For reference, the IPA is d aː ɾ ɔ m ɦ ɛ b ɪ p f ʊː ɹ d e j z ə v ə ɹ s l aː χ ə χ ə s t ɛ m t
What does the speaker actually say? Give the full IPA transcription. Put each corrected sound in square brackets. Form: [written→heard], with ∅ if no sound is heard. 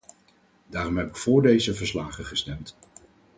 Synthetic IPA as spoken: d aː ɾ ɔ m ɦ ɛ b ɪ [p→k] f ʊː ɹ d e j z ə v ə ɹ s l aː χ ə χ ə s t ɛ m t